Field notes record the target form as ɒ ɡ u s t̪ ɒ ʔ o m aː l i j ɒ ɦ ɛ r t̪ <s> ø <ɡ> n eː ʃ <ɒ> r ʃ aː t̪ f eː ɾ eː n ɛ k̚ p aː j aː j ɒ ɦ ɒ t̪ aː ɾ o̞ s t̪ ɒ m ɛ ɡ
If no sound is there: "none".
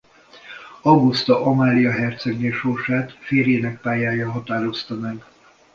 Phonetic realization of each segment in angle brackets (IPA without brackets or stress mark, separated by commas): s, ɡ, o